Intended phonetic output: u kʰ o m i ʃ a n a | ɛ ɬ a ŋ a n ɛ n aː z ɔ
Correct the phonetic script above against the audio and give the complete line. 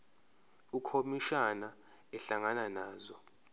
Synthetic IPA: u kʰ o m i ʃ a n a | ɛ ɬ a ŋ a n a n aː z ɔ